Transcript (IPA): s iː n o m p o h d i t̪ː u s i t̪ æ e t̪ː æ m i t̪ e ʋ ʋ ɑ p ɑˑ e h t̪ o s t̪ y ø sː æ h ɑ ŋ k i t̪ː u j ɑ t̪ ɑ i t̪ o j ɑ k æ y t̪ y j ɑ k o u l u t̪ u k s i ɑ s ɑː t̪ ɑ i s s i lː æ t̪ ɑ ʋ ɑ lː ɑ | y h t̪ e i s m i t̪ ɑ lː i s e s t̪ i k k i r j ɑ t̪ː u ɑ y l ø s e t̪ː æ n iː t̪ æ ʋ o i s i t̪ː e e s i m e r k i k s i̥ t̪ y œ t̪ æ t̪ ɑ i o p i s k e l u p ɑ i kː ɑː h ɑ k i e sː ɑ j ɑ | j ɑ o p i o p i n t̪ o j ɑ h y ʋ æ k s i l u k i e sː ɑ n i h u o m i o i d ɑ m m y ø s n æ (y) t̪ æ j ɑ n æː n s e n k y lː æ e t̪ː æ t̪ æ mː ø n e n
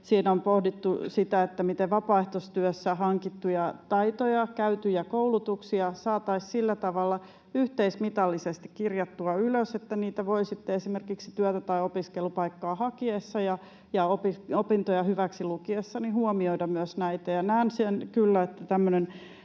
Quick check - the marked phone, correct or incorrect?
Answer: incorrect